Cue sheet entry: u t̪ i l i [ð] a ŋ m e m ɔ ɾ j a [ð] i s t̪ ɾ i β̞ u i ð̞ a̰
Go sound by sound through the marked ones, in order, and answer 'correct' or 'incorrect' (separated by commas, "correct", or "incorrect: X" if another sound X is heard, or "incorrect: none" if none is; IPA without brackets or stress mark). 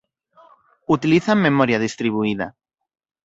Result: incorrect: θ, correct